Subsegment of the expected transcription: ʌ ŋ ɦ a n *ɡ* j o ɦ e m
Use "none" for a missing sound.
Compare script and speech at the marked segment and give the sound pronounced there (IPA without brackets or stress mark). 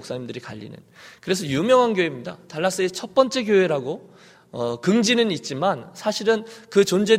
ɡ